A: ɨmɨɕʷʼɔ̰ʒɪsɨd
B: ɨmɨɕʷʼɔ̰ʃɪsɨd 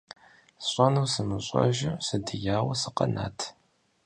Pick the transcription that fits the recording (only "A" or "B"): A